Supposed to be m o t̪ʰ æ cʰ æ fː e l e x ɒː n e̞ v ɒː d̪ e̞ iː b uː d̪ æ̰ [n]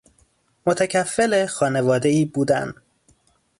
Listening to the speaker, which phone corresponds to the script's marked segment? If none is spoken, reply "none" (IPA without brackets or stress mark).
n